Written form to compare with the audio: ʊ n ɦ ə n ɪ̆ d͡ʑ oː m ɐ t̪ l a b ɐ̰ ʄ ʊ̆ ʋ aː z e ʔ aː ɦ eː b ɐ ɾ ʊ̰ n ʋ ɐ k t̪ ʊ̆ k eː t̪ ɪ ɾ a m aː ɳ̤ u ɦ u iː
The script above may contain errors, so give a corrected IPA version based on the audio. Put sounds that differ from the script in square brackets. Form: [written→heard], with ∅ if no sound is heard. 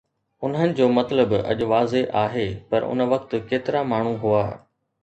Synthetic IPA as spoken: ʊ n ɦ ə n ɪ̆ d͡ʑ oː m ɐ t̪ l [a→ə] b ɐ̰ ʄ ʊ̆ ʋ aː z e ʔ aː ɦ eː [b→p] ɐ ɾ ʊ̰ n ʋ ɐ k t̪ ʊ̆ k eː t̪ ɪ ɾ a m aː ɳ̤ u ɦ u [iː→aː]